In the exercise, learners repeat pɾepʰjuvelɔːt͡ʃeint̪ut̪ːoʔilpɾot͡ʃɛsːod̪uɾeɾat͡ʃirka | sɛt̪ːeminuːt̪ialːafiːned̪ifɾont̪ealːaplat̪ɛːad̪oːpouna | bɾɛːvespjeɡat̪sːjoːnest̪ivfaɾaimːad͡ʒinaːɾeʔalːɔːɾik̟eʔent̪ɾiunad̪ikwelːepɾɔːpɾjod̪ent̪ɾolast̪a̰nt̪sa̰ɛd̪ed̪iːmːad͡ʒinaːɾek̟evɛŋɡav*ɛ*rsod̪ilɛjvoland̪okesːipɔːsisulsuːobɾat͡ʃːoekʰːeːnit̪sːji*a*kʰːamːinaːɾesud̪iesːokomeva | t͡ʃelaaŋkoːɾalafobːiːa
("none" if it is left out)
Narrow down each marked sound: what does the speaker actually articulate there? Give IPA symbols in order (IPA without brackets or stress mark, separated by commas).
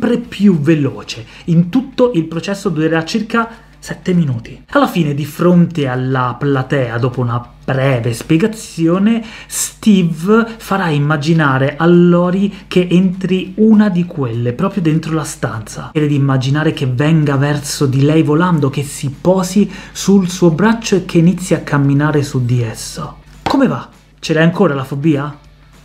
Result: ɛ, a